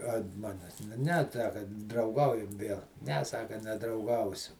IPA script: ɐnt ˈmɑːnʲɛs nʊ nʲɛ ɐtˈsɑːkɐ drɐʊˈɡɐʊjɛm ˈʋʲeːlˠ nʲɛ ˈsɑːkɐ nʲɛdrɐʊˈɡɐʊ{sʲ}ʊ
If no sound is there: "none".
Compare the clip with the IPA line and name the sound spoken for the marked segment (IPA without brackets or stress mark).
sʲ